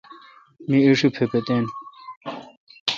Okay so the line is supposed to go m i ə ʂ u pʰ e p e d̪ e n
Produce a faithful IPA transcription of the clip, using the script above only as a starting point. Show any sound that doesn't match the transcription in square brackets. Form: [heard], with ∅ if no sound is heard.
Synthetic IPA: m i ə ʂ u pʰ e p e [t̪] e n